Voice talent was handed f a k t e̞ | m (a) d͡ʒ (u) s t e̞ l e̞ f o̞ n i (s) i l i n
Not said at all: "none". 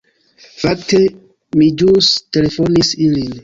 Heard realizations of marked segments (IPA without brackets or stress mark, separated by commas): i, u, s